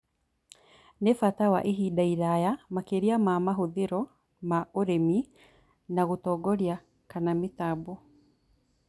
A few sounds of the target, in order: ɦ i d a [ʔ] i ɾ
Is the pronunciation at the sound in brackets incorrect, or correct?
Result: incorrect